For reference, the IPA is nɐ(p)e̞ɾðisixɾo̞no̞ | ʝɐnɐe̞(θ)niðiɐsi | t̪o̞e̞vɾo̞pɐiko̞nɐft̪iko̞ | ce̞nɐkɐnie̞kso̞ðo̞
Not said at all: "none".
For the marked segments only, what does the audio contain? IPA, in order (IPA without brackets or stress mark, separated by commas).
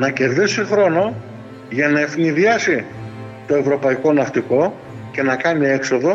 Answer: c, f